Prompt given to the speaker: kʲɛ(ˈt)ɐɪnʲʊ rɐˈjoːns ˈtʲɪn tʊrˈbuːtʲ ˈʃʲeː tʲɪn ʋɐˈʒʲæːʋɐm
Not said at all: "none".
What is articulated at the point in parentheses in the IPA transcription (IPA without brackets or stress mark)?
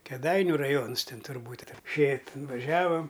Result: d